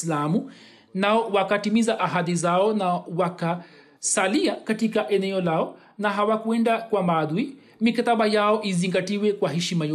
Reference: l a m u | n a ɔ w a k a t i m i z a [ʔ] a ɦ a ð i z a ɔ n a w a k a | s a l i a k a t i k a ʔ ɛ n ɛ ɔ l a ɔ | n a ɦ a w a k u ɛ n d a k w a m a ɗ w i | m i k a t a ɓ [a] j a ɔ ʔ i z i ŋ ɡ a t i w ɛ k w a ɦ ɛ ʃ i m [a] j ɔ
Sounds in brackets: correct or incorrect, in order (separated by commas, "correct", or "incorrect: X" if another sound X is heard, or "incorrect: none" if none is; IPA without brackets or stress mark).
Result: correct, correct, correct